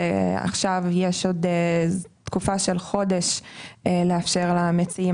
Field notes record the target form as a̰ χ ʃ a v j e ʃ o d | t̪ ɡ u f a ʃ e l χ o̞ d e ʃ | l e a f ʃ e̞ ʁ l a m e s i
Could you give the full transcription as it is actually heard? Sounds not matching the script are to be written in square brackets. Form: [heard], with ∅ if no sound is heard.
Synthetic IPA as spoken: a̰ χ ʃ a v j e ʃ o d | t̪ [k] u f a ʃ e l χ o̞ d e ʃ | l e a f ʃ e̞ ʁ l a m e [t͡s] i